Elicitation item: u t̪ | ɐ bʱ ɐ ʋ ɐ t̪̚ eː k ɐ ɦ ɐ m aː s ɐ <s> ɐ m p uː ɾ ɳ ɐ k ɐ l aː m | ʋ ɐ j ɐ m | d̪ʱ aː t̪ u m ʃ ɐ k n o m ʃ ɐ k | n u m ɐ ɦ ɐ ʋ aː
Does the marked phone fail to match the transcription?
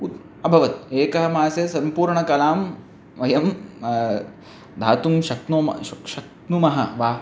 no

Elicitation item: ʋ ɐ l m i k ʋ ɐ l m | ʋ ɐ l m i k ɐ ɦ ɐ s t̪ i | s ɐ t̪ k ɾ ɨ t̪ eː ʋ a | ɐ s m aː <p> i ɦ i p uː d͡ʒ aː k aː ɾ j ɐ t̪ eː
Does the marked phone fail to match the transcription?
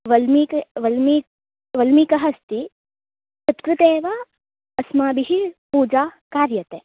yes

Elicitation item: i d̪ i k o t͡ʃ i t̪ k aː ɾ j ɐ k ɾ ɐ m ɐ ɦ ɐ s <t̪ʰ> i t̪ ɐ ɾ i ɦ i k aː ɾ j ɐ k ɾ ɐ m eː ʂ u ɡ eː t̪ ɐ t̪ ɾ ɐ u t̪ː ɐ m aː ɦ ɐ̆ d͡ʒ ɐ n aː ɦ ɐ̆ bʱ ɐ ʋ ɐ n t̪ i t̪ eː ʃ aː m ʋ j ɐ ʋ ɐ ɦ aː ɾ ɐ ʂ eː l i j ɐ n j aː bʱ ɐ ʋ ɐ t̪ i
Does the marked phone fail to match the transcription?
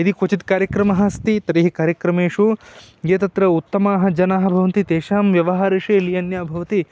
yes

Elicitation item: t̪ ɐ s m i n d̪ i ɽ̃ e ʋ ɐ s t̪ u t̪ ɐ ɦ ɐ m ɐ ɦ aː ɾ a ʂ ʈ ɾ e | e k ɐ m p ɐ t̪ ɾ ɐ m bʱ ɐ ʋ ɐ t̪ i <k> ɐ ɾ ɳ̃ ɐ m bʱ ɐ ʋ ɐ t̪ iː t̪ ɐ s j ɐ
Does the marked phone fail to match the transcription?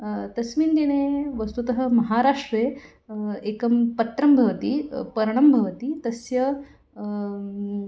yes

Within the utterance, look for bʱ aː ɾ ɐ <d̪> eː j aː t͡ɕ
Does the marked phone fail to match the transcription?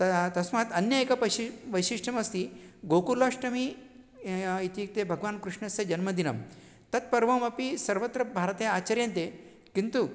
yes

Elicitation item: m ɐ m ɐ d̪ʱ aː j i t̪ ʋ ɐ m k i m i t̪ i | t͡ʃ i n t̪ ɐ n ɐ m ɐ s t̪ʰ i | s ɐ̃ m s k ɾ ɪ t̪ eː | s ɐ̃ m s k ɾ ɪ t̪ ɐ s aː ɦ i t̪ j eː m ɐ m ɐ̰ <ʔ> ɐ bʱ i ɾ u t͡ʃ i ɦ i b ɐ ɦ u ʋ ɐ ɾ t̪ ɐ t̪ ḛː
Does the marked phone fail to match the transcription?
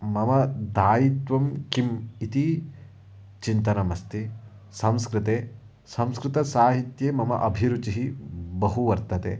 no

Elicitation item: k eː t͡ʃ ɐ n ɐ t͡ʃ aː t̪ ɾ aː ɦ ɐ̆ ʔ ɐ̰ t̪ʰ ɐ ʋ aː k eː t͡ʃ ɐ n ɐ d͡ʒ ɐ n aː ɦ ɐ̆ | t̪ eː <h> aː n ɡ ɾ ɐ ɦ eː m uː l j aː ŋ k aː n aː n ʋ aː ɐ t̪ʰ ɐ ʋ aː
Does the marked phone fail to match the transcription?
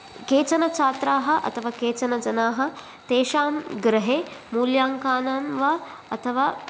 yes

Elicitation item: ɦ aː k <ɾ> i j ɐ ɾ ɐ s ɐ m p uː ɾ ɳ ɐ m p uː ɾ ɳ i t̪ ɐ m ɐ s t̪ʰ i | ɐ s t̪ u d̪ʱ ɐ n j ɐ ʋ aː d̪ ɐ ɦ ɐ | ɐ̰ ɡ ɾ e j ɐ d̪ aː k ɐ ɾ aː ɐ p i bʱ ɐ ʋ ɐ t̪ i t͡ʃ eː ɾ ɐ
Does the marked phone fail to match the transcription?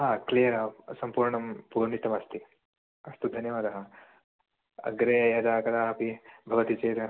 yes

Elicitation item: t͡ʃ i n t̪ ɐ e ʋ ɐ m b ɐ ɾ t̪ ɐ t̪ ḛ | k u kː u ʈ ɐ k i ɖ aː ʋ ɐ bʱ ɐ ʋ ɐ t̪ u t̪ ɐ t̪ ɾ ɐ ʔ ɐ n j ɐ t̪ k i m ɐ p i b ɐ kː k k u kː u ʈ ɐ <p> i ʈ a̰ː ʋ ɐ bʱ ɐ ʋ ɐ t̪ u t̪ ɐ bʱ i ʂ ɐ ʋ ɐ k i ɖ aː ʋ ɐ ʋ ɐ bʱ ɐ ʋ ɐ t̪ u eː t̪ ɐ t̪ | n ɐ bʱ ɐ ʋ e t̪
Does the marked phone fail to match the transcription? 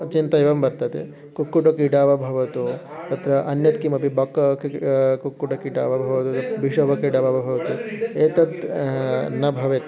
yes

